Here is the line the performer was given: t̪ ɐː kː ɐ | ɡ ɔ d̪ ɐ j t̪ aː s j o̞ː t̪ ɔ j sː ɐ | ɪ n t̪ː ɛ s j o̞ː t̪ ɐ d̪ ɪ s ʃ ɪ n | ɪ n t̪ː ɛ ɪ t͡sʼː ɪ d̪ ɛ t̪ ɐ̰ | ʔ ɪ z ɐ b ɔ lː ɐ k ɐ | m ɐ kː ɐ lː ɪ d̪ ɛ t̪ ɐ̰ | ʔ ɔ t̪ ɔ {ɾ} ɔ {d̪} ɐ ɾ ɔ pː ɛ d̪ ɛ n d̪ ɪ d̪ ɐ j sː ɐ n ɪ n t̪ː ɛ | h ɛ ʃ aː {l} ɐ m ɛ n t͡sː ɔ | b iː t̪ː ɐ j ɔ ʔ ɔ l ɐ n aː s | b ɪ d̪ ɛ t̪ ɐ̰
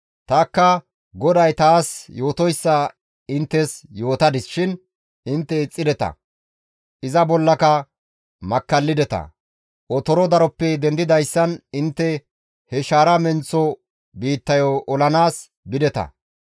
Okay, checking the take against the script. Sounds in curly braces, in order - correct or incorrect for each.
correct, correct, incorrect

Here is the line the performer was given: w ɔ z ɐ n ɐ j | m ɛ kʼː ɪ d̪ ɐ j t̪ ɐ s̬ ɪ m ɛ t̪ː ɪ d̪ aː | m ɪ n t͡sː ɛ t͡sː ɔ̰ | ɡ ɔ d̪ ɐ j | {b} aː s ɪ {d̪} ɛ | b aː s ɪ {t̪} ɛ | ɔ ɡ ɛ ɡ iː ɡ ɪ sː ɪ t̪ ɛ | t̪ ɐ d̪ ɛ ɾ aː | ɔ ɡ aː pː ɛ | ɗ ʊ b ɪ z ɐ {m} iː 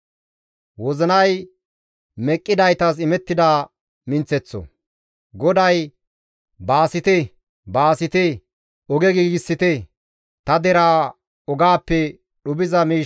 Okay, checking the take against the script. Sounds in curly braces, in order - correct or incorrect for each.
correct, incorrect, correct, correct

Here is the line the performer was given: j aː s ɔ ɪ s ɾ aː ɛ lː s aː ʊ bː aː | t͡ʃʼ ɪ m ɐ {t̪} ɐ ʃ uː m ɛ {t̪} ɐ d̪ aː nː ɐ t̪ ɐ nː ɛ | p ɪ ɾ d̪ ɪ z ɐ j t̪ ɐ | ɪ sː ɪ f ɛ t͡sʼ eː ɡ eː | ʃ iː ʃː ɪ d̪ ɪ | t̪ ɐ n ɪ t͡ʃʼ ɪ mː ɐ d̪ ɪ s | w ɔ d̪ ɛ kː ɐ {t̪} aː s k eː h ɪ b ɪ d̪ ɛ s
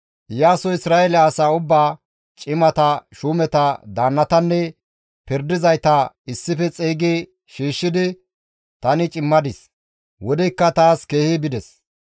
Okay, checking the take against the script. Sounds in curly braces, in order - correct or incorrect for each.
correct, correct, correct

